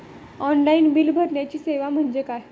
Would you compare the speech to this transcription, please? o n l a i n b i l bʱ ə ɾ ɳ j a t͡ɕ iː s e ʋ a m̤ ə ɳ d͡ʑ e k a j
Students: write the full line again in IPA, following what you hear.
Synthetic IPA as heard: ɔ n l a i n b i l bʱ ə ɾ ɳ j a t͡ɕ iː s e ʋ a m̤ ə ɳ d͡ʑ e k a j